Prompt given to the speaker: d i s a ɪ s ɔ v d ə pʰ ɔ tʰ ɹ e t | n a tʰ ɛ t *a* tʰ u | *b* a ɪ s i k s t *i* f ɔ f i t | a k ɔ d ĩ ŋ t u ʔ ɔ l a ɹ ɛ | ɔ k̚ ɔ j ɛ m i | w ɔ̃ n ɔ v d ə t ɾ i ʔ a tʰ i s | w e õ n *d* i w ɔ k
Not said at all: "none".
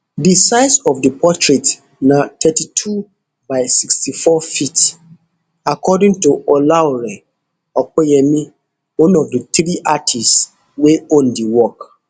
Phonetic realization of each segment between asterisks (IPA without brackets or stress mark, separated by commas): i, b, i, d